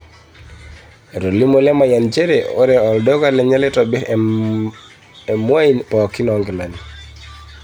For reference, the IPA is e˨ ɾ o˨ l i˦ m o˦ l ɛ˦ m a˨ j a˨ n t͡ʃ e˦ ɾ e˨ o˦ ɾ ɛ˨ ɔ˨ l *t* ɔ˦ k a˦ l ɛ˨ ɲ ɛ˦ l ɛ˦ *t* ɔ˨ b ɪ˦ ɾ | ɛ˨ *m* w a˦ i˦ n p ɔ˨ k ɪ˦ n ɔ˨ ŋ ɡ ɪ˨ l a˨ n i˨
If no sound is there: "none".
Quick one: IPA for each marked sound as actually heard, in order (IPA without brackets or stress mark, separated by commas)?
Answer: d, t, m